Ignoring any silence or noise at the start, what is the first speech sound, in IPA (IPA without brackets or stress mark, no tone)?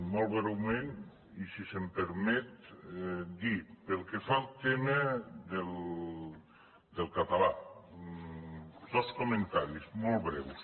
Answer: m